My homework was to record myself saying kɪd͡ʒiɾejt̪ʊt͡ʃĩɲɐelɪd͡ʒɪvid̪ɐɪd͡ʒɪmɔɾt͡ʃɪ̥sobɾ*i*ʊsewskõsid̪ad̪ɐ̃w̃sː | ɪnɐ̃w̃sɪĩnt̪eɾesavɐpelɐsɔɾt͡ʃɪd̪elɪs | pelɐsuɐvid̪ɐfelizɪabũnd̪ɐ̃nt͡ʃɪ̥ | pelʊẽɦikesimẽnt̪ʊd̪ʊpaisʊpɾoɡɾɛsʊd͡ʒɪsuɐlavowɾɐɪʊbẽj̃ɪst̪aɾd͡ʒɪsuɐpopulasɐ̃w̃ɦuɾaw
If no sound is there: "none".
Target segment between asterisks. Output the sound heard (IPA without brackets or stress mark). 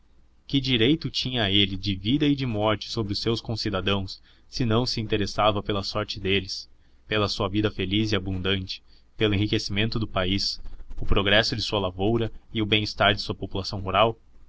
ɪ